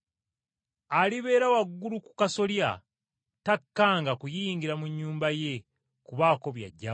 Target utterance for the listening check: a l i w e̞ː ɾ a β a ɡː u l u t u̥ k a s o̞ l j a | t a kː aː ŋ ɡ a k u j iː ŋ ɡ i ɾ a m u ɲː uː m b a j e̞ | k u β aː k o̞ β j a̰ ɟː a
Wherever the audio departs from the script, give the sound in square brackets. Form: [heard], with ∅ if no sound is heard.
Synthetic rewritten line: a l i [β] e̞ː ɾ a [w] a ɡː u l u [k] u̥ k a s o̞ l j a | t a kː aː ŋ ɡ a k u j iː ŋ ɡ i ɾ a m u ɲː uː m b a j e̞ | k u β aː k o̞ β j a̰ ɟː a

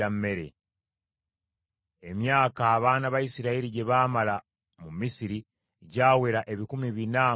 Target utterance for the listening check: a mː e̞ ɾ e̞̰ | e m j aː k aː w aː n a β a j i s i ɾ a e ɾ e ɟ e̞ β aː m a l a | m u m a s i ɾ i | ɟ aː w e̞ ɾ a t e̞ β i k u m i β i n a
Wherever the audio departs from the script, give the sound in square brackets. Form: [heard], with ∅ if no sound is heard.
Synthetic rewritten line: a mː e̞ ɾ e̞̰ | e m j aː k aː [β] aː n a β a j i s i ɾ a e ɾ [i] ɟ e̞ β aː m a l a | m u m [i] s i ɾ i | ɟ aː w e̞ ɾ a [ʔ] e̞ β i k u m i β i n a

